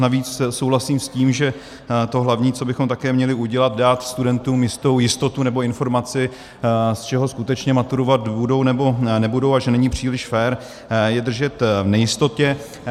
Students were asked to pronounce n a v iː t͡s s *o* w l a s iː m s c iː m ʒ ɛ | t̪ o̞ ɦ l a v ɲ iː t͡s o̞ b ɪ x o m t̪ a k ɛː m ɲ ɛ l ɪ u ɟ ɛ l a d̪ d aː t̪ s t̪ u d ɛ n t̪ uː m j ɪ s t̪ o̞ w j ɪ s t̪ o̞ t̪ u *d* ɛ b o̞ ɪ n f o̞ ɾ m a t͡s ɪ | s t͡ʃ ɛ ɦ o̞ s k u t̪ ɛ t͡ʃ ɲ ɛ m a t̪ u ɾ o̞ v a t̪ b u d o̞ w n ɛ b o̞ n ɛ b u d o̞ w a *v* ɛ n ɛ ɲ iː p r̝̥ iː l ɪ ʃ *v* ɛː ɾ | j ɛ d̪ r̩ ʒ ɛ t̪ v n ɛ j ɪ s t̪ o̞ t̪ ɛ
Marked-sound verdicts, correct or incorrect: correct, incorrect: n, incorrect: ʒ, incorrect: f

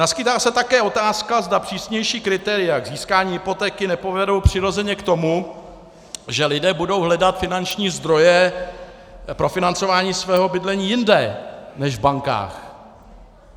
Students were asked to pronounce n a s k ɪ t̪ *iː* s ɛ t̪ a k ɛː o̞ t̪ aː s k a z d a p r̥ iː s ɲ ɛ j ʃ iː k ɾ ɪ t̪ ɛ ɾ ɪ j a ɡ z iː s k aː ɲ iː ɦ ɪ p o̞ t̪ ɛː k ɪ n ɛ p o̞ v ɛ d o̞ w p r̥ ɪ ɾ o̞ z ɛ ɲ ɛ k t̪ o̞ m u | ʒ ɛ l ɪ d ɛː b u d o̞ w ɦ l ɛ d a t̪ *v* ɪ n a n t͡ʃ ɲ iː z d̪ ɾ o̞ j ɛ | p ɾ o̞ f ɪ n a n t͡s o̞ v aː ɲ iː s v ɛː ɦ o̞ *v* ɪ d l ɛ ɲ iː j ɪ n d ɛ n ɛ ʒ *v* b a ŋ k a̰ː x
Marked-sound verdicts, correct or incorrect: incorrect: aː, incorrect: f, incorrect: b, correct

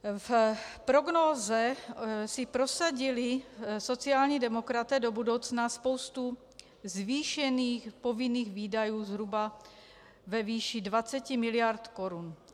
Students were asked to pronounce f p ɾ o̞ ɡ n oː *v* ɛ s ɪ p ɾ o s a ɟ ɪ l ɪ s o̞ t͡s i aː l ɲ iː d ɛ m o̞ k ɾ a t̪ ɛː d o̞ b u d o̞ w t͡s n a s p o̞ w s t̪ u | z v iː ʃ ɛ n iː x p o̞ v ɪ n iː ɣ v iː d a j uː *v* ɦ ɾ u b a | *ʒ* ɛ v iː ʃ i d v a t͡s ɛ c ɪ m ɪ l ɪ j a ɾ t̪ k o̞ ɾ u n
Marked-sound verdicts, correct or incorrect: incorrect: z, incorrect: z, incorrect: v

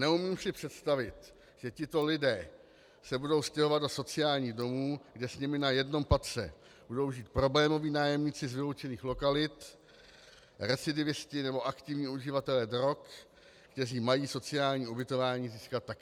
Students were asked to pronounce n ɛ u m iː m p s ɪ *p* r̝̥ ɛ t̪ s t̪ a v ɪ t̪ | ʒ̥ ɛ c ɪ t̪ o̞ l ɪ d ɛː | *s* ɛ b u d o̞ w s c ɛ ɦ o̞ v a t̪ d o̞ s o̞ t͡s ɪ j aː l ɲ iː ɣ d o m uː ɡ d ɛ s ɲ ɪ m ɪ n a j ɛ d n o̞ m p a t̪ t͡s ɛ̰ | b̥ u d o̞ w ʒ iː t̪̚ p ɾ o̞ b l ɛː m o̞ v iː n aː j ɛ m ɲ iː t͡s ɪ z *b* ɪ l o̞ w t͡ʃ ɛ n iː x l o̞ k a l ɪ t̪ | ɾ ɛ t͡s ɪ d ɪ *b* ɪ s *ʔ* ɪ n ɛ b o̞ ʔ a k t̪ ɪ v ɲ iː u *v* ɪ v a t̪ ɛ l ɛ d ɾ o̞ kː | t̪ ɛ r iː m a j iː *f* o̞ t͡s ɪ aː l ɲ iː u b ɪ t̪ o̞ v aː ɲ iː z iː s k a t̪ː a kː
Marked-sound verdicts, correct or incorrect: correct, correct, incorrect: v, incorrect: v, incorrect: c, incorrect: ʒ, incorrect: s

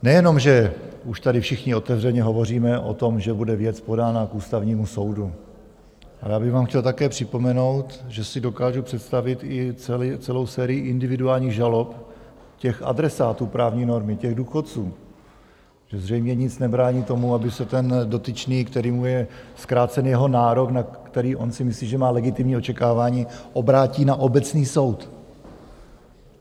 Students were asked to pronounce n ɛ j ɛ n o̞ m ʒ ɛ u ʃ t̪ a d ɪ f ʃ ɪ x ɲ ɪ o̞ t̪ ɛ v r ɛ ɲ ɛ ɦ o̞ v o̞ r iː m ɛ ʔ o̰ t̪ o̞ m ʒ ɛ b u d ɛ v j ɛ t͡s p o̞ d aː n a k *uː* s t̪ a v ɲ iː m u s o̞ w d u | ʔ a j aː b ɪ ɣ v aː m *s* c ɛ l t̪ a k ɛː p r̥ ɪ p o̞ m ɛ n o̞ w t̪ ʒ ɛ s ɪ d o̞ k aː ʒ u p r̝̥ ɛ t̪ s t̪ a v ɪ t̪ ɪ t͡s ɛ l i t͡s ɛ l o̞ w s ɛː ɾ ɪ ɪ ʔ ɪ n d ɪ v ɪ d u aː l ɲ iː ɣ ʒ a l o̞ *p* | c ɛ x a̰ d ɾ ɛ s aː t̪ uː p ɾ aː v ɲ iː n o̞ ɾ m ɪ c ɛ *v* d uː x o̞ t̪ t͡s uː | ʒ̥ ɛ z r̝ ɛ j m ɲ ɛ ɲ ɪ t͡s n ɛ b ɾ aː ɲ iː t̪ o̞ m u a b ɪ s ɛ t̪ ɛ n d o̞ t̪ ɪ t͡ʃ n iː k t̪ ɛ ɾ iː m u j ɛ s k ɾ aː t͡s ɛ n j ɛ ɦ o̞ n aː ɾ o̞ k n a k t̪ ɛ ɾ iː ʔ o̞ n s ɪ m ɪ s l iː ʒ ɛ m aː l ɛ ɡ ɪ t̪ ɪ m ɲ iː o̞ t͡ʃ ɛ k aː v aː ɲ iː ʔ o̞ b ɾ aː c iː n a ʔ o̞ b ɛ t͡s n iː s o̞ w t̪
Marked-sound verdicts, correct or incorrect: correct, incorrect: x, correct, incorrect: ɣ

